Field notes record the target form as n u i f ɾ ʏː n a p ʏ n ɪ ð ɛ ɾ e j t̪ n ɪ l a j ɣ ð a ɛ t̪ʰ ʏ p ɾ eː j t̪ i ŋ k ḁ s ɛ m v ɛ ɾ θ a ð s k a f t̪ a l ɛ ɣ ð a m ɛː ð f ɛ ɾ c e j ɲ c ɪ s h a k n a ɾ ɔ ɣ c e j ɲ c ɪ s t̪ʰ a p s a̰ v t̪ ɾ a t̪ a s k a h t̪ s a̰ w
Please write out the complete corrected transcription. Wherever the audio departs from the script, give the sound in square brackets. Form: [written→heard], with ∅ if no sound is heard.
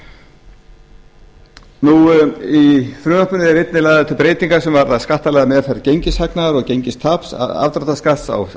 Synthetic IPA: n u i f ɾ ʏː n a p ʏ n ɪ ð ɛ ɾ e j t̪ n ɪ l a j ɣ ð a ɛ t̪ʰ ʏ p ɾ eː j t̪ i ŋ k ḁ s ɛ m v [ɛ→a] ɾ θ a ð s k a [f→h] t̪ a l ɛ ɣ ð a m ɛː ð f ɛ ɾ c e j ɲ c ɪ s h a k n a ɾ ɔ ɣ c e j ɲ c ɪ s t̪ʰ a p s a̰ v t̪ ɾ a t̪ a s k a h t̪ s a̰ w